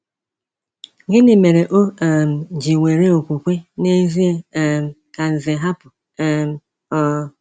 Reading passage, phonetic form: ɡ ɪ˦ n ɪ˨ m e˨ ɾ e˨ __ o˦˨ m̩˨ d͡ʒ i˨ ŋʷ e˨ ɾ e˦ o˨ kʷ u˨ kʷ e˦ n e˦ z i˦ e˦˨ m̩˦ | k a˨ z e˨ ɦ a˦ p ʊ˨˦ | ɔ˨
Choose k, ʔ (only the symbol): ʔ